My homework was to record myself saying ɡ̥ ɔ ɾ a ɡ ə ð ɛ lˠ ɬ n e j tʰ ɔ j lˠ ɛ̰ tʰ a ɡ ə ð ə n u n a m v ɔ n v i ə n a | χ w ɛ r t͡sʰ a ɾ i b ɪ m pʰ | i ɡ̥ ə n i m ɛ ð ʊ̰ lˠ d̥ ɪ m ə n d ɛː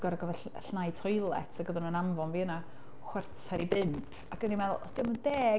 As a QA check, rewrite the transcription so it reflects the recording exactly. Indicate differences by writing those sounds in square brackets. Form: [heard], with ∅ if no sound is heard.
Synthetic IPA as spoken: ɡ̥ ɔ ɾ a ɡ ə [v] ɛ [∅] ɬ n [a] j tʰ ɔ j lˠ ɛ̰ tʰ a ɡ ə ð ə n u n a m v ɔ n v i ə n a | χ w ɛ r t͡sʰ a ɾ i b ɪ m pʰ | [a] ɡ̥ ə n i m ɛ ð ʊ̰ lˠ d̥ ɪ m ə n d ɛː